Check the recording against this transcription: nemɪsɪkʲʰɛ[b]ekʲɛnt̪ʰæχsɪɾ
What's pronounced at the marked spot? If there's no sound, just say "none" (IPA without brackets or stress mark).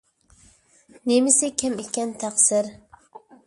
m